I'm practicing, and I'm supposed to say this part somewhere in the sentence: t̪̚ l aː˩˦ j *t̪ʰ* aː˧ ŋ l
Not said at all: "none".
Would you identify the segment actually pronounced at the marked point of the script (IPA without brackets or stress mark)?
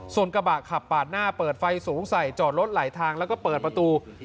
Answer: t̪ʰ